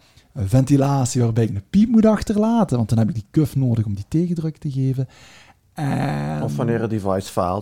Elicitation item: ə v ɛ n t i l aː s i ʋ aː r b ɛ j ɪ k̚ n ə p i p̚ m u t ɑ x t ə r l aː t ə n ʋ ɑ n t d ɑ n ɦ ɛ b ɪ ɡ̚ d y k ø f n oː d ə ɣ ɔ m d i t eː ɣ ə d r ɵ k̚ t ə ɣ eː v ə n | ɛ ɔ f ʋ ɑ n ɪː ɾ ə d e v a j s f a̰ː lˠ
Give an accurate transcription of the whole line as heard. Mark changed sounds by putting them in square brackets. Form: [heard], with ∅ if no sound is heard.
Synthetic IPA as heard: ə v ɛ n t i l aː s i ʋ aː r b ɛ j ɪ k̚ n ə p i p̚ m u t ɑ x t ə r l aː t ə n ʋ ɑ n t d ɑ n ɦ ɛ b ɪ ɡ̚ d [i] k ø f n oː d ə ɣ ɔ m d i t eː ɣ ə d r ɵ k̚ t ə ɣ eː v ə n | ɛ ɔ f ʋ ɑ n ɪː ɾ ə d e v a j s f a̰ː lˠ